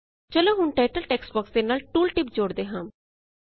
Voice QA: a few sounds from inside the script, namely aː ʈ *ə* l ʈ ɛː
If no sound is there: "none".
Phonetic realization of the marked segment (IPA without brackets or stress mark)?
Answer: ə